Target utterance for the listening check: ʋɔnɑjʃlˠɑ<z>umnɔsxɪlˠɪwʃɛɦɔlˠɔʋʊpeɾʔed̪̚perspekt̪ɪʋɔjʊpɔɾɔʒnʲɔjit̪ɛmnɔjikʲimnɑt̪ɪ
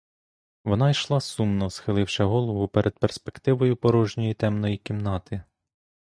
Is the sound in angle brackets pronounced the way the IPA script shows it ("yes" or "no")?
no